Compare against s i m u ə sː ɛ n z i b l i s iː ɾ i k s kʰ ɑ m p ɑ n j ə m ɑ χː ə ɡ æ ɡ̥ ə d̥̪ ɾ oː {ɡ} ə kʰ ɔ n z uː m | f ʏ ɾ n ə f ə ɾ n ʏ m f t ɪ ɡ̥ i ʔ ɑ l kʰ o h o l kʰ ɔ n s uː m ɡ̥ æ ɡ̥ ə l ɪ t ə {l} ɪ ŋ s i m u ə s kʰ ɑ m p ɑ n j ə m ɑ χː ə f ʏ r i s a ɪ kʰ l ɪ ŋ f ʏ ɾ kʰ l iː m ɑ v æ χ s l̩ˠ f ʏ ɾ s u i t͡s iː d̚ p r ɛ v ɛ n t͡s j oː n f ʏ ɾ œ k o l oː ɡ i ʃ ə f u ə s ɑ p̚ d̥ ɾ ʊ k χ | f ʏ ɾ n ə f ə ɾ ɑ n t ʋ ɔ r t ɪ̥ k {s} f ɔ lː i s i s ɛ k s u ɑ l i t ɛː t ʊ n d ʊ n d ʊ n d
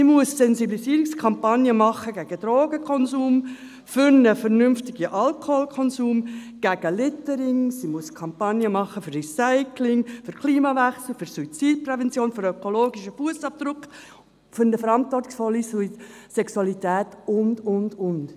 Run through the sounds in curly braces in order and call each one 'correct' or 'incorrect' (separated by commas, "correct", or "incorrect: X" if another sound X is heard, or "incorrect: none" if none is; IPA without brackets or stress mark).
correct, incorrect: ɾ, correct